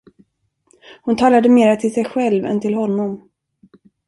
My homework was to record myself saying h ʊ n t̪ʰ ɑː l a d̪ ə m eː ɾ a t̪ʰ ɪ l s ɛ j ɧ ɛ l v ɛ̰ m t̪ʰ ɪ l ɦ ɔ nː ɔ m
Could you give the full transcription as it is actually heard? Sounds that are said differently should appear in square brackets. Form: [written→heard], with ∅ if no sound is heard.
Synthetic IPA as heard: h ʊ n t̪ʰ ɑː l a d̪ ə m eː ɾ a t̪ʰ ɪ l s ɛ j ɧ ɛ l v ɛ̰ [m→n] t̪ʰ ɪ l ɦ ɔ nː ɔ m